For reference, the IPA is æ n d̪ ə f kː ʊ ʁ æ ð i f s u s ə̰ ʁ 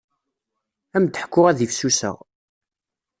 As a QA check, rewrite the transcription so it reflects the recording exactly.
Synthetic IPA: æ m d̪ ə ħ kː ʊ ʁ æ ð i f s u s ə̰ ʁ